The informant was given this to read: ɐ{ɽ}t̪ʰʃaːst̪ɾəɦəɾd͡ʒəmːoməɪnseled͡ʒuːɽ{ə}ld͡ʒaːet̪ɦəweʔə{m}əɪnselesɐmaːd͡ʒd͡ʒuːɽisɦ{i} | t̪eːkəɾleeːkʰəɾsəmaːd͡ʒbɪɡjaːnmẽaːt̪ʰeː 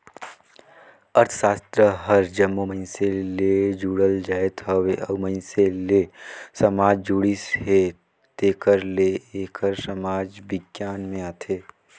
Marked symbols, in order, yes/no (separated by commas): no, yes, yes, no